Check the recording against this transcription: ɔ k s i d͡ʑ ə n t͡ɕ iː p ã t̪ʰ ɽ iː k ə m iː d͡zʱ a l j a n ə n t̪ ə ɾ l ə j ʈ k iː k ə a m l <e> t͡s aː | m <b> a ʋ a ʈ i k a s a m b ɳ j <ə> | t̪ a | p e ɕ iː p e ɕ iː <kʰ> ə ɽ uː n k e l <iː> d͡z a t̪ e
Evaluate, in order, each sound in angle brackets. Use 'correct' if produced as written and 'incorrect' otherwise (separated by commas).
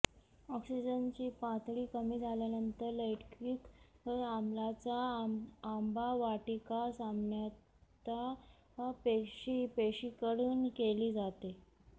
incorrect, correct, incorrect, incorrect, correct